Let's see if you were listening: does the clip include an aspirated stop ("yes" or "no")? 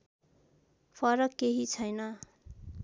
yes